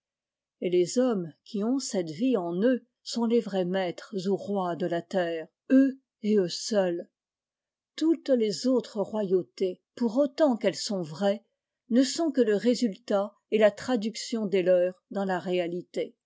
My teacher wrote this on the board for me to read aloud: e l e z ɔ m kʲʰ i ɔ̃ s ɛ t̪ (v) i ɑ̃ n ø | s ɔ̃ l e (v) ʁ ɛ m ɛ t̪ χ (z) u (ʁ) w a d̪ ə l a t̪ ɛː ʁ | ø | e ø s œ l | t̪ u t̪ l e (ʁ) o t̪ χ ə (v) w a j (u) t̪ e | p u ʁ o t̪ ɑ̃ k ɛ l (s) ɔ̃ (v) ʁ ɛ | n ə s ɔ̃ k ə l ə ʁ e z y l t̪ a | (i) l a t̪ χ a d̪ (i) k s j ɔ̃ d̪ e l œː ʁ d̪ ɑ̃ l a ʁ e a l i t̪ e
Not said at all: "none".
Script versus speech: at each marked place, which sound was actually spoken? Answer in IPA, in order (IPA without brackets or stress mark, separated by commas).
v, v, z, ʁ, z, ʁ, o, s, v, e, y